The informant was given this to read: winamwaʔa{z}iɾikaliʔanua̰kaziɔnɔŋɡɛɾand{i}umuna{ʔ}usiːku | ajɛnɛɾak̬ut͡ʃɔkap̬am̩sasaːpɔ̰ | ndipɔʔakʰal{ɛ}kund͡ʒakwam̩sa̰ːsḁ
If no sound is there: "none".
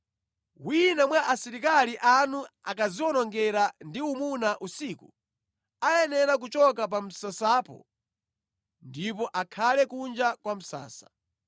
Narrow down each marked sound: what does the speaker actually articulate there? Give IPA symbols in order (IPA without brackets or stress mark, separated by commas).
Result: s, i, ʔ, ɛ